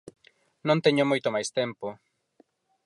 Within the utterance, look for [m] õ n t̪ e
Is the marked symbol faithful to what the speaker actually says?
no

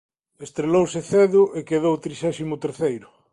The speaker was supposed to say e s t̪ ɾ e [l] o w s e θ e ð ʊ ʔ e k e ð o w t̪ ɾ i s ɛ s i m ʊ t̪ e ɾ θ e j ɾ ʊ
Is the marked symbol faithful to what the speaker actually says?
yes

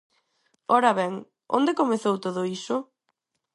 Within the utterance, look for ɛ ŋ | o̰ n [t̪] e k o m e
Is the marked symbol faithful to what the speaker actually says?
no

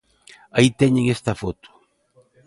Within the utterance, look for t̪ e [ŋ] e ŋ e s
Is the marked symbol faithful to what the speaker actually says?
no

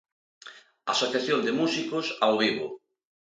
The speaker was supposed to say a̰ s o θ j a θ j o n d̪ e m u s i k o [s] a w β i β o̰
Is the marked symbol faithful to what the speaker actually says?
yes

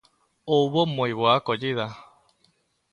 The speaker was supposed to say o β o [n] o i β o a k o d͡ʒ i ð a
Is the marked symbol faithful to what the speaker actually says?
no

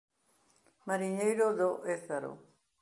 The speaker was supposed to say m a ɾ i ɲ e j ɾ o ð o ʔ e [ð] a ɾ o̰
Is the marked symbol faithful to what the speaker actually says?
no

